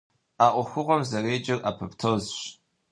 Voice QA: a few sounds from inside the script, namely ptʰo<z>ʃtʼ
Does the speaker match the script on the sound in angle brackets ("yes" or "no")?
yes